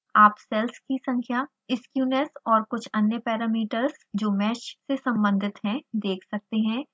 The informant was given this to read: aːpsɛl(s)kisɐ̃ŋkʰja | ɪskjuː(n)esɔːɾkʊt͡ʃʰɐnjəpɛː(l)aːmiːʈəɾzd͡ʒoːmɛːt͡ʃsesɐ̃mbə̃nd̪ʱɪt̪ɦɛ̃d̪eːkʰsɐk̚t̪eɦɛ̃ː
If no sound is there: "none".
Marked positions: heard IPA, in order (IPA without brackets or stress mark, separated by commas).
s, n, ɾ